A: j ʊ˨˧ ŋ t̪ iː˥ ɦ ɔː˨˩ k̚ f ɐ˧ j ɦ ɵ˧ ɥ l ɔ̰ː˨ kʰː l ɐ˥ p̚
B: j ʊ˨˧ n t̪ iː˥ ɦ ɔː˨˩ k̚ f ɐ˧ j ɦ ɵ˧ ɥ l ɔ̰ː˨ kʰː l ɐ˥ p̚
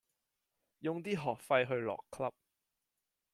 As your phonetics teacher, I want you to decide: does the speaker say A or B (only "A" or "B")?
A